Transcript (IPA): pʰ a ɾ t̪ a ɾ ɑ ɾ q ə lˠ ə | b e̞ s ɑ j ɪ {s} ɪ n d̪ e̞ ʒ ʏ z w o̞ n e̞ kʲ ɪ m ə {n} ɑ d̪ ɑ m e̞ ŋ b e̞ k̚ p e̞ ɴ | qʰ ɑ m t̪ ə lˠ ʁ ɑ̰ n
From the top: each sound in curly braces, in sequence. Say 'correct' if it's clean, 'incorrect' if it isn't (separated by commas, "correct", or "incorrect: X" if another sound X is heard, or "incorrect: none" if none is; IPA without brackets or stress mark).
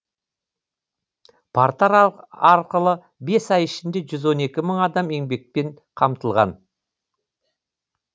incorrect: ʃ, incorrect: ɴ